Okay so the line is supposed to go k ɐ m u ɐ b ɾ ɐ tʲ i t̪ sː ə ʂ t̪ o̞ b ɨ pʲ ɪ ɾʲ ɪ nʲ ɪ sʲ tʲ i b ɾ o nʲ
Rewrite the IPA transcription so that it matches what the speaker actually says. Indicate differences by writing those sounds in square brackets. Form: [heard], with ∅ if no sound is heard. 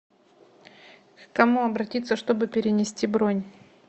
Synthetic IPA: k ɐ m u ɐ b ɾ ɐ tʲ i t̪ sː ə ʂ t̪ o̞ b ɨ pʲ ɪ ɾʲ ɪ nʲ ɪ sʲ tʲ i b ɾ o nʲ

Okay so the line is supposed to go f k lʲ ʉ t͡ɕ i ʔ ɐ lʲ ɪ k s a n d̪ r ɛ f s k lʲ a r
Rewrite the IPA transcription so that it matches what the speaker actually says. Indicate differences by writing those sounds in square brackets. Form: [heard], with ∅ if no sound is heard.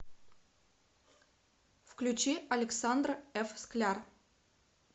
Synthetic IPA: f k lʲ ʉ t͡ɕ i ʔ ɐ lʲ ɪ k s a n d̪ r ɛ f s k lʲ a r

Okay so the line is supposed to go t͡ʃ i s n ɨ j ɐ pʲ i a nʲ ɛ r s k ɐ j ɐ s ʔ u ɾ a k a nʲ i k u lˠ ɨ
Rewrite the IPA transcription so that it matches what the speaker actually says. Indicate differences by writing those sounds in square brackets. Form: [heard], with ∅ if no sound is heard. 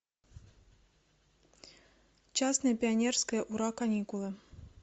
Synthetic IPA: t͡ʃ [a] s n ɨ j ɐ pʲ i a nʲ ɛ r s k ɐ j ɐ [∅] ʔ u ɾ a k a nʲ i k u lˠ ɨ

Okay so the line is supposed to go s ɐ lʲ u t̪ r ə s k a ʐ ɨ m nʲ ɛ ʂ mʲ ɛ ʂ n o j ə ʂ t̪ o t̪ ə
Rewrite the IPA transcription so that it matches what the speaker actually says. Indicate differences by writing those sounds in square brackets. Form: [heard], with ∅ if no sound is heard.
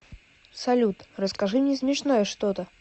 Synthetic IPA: s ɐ lʲ u t̪ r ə s k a ʐ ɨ m nʲ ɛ [s] mʲ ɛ ʂ n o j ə ʂ t̪ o t̪ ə

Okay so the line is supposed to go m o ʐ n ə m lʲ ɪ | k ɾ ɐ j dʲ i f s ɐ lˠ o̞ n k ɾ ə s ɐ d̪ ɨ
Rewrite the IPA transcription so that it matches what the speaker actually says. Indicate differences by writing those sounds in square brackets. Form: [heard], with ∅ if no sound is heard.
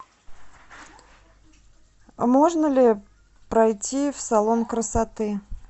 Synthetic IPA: m o ʐ n ə [∅] lʲ ɪ | [p] ɾ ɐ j [tʲ] i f s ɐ lˠ o̞ n k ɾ ə s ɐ [t̪] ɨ

